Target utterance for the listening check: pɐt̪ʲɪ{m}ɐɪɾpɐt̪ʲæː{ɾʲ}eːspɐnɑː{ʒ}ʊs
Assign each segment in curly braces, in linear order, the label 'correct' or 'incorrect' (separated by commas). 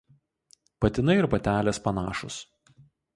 incorrect, incorrect, incorrect